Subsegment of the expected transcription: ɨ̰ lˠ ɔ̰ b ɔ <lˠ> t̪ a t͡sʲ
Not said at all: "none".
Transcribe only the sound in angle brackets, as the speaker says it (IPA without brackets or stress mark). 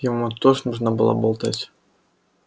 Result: lˠ